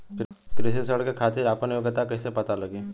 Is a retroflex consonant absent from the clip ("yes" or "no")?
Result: no